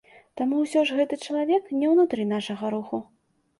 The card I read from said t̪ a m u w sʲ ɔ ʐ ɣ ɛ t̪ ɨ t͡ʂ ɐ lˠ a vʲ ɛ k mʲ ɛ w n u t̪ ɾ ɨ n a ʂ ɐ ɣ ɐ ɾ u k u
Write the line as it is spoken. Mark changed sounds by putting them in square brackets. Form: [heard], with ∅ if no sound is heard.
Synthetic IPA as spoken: t̪ a m u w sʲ ɔ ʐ ɣ ɛ t̪ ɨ t͡ʂ ɐ lˠ a vʲ ɛ k [nʲ] ɛ w n u t̪ ɾ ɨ n a ʂ ɐ ɣ ɐ ɾ u [x] u